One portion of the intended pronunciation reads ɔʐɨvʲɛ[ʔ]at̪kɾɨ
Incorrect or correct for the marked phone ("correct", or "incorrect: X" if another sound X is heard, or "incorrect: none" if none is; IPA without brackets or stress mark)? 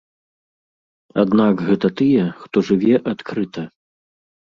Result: correct